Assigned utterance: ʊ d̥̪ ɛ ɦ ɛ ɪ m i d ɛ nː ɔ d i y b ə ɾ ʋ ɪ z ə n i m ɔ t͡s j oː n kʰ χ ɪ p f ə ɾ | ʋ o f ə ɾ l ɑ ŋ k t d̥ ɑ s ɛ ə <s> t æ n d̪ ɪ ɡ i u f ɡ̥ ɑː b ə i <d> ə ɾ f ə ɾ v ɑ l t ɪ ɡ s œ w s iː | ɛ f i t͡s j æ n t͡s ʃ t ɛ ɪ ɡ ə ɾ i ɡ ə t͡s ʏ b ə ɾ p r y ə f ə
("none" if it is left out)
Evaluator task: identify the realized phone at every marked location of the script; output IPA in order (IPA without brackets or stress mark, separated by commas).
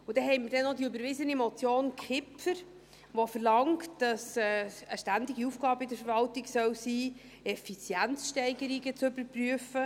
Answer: ʃ, d